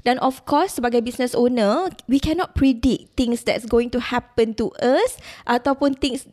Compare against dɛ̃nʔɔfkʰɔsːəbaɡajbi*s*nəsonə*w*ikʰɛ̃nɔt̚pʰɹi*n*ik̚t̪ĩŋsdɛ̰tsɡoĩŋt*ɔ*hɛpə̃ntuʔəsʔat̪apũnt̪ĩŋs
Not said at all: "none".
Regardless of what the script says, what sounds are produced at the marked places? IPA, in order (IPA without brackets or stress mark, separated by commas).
s, w, d, u